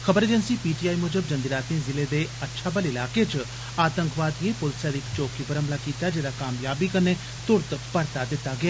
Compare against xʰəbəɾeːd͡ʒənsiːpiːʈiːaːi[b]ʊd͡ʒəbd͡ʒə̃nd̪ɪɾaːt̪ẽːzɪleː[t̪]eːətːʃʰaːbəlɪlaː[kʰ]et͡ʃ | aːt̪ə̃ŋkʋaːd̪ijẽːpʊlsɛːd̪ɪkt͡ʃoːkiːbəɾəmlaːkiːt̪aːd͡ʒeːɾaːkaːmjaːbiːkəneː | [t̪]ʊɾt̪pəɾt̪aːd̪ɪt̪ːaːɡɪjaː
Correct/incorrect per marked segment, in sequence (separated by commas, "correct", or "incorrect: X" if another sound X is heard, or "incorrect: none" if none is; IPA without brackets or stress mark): incorrect: m, incorrect: d̪, incorrect: k, correct